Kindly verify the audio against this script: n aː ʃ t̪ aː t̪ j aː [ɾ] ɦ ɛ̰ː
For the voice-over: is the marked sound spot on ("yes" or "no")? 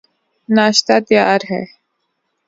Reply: yes